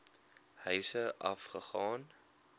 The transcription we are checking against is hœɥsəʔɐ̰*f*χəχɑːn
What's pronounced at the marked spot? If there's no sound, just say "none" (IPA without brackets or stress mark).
f